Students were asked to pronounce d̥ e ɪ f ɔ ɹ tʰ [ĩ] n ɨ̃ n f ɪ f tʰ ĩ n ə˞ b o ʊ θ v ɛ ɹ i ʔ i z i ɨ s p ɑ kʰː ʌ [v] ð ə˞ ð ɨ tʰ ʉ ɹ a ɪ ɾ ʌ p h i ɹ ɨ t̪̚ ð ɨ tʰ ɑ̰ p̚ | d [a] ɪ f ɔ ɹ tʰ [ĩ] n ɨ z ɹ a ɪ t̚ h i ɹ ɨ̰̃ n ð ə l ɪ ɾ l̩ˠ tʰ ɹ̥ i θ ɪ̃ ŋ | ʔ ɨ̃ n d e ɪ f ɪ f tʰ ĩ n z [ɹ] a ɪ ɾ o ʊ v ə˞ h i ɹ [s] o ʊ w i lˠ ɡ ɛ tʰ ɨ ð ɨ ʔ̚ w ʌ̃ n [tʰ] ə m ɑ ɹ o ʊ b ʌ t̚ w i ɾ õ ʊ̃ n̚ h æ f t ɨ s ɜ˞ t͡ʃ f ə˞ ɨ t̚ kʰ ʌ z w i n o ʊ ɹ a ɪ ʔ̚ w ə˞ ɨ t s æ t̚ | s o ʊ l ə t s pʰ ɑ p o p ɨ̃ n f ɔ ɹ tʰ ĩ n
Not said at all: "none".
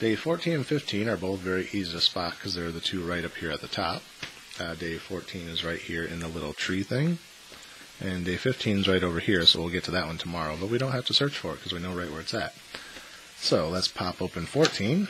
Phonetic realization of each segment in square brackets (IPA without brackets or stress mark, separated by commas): ĩ, z, e, ĩ, ɹ, s, tʰ